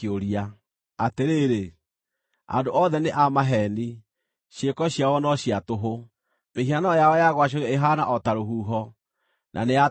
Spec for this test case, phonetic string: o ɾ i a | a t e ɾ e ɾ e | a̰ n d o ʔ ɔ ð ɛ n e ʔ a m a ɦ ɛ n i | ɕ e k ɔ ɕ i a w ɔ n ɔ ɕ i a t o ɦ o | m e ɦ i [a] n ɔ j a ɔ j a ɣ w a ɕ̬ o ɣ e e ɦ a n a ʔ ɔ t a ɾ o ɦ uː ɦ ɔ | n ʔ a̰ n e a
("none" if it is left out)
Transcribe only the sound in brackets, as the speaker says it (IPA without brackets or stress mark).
a